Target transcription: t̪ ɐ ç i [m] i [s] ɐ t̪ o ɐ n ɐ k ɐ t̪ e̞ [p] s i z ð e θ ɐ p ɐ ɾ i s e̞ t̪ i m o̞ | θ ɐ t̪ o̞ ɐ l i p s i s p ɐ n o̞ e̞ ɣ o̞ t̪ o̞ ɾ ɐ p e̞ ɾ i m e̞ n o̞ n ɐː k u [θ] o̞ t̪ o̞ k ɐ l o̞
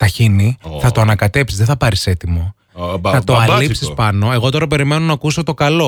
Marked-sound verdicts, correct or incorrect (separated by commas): incorrect, incorrect, correct, incorrect